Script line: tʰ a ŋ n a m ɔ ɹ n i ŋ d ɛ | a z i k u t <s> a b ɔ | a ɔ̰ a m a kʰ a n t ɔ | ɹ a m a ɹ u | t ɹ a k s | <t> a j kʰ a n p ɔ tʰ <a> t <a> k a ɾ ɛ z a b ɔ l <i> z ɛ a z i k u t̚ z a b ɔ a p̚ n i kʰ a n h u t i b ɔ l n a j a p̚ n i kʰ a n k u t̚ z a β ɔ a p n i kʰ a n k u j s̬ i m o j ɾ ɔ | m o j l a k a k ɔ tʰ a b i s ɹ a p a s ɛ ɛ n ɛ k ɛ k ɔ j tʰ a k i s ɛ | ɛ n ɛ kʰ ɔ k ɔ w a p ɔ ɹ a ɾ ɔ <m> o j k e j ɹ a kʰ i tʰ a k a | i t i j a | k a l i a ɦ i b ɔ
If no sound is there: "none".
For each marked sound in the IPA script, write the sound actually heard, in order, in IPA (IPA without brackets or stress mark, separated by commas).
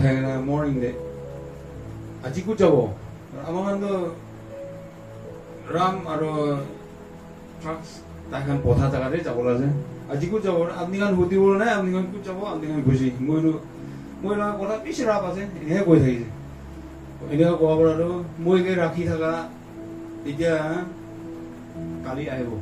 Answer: z, t, a, a, a, m